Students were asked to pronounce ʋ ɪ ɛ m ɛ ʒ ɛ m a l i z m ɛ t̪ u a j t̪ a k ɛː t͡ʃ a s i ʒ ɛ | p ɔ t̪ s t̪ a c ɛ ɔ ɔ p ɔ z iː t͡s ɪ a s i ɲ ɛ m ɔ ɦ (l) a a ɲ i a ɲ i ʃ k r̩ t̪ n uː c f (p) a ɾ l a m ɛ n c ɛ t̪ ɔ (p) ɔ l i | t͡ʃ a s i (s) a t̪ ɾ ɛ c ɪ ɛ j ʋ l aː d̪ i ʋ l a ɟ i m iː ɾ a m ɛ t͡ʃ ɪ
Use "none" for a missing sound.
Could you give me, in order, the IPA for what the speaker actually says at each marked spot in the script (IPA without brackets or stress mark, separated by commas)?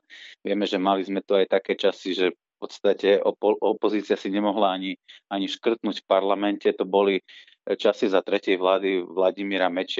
l, p, b, z